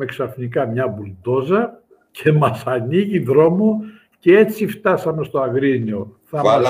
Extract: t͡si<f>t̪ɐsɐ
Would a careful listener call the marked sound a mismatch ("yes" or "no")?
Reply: no